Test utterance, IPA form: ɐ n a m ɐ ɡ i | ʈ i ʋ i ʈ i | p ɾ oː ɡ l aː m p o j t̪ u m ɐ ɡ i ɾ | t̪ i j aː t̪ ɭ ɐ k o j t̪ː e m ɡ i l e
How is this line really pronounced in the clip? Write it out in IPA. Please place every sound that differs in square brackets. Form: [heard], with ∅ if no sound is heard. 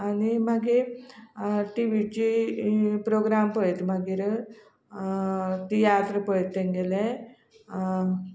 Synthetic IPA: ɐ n [i] m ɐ ɡ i | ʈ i ʋ i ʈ i | p ɾ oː ɡ [ɾ] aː m p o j t̪ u m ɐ ɡ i ɾ | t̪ i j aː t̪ [ɾ] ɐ [p] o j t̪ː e [ŋ] ɡ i l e